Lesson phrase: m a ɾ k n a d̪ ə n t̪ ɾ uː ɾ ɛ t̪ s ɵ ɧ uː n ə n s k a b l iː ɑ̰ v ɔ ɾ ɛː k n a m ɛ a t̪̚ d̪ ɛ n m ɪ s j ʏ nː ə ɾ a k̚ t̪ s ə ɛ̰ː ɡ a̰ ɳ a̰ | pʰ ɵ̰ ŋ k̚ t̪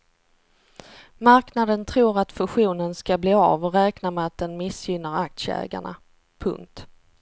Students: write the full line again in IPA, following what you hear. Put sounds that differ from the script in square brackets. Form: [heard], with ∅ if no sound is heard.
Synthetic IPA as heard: m a ɾ k n a d̪ ə n [t̪ʰ] ɾ uː ɾ [a] t̪ [f] ɵ ɧ uː n ə n s k a b l iː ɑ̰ v ɔ ɾ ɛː k n a m ɛ a t̪̚ d̪ ɛ n m ɪ s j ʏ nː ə ɾ a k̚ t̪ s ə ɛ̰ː ɡ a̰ ɳ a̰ | pʰ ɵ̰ ŋ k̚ t̪